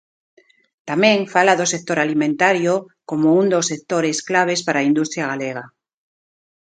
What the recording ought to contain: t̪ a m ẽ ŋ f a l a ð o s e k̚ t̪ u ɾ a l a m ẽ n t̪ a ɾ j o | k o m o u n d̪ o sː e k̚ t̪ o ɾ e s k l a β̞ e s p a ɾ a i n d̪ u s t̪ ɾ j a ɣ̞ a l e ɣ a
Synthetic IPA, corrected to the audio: t̪ a m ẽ ŋ f a l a ð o s e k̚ t̪ o ɾ a l i m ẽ n t̪ a ɾ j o | k o m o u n d̪ o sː e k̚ t̪ o ɾ e s k l a β̞ e s p a ɾ a i n d̪ u s t̪ ɾ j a ɣ̞ a l e ɣ a